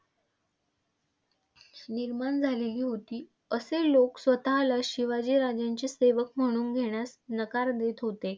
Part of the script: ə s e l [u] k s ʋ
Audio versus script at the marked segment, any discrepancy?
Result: yes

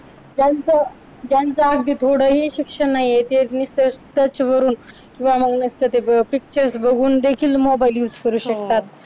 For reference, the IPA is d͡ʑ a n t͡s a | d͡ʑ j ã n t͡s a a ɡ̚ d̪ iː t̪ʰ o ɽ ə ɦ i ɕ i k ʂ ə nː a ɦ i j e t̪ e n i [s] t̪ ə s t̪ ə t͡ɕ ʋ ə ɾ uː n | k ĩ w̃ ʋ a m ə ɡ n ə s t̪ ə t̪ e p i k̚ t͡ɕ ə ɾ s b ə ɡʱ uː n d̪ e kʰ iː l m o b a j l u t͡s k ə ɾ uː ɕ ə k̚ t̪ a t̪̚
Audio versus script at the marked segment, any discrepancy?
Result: no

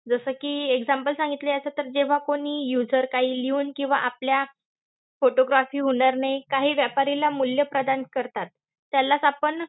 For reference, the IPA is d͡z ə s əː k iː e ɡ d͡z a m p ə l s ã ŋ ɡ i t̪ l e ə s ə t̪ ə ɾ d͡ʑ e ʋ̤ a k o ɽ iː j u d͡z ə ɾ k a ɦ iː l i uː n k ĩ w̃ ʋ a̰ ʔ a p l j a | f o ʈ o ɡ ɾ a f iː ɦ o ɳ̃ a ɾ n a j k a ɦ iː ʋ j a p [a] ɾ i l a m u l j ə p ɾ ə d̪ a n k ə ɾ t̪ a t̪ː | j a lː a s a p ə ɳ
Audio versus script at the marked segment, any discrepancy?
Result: no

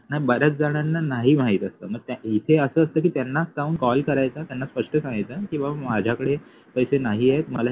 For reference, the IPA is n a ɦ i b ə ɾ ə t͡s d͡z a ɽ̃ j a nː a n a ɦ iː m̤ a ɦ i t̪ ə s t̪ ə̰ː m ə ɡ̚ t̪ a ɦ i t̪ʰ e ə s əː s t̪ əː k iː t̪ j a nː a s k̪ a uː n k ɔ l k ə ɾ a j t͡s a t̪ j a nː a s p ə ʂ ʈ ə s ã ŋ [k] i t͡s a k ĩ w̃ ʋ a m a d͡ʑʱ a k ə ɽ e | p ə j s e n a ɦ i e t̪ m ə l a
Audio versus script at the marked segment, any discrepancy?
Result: yes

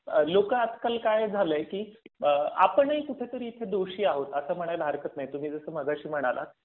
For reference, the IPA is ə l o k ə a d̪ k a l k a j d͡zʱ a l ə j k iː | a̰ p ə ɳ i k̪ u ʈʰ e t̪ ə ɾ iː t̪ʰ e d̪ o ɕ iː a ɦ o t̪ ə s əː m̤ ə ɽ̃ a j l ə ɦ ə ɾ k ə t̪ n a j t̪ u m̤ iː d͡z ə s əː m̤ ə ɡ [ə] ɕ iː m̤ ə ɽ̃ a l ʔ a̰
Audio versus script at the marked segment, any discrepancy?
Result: yes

